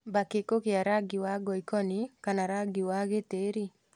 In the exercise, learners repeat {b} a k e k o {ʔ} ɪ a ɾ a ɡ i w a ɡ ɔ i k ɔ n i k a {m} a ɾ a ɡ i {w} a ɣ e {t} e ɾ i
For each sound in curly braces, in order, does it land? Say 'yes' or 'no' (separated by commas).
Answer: yes, no, no, yes, yes